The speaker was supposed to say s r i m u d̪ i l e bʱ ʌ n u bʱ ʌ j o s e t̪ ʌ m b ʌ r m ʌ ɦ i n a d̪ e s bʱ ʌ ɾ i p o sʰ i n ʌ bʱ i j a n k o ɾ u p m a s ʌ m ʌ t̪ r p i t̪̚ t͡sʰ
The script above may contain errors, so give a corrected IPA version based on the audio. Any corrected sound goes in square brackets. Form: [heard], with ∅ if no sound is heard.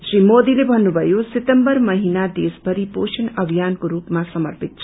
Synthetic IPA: s r i m [o] d̪ i l e bʱ ʌ [nː] u bʱ ʌ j o s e t̪ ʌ m b ʌ r m ʌ ɦ i n a d̪ e s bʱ ʌ ɾ i p o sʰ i n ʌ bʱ i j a n k o ɾ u p m a s ʌ m ʌ [∅] r p i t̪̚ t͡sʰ